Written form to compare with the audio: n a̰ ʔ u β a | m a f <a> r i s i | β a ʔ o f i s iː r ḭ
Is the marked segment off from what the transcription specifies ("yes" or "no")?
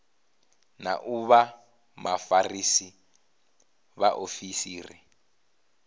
no